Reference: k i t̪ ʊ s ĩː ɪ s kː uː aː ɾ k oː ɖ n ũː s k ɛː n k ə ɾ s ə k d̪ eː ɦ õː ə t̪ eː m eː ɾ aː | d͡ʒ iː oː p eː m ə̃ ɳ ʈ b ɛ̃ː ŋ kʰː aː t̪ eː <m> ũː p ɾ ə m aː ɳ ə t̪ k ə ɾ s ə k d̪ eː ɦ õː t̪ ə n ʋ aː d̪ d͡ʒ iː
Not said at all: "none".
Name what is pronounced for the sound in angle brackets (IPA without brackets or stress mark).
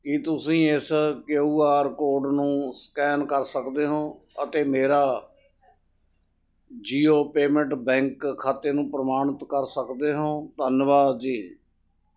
n